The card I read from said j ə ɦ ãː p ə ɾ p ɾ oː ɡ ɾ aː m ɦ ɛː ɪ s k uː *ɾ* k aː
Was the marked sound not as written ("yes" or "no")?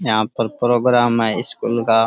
yes